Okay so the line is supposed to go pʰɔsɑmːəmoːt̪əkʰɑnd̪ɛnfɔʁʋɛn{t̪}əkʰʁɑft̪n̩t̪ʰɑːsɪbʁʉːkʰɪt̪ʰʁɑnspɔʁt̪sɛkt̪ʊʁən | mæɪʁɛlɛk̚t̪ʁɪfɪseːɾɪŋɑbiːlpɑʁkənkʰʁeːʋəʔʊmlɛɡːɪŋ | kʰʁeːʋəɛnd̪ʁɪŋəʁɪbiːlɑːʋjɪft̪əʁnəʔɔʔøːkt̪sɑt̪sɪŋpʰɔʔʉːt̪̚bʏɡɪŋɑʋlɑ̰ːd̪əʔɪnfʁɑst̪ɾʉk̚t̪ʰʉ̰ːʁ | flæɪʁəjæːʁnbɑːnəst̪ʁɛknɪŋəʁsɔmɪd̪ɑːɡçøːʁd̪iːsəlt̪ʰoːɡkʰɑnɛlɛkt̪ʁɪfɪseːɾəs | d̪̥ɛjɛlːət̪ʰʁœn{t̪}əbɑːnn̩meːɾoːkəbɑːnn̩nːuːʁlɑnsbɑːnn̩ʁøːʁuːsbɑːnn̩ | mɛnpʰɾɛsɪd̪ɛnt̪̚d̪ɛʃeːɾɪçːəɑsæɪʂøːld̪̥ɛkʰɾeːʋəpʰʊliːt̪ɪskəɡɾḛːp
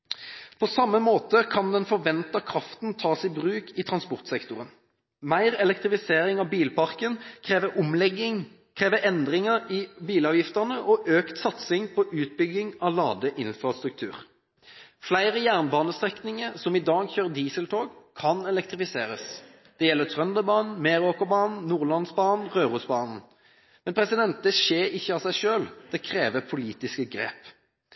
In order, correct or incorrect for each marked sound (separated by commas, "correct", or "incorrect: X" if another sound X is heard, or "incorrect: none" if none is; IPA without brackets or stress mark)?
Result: correct, incorrect: d̪